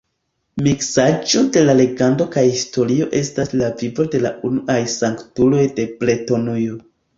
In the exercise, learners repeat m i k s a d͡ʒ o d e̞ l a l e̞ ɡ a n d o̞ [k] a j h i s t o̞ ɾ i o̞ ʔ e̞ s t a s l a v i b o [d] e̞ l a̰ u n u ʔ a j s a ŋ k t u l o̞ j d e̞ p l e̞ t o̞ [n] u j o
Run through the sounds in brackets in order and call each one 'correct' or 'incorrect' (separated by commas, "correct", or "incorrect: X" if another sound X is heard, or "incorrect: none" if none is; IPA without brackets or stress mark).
correct, correct, correct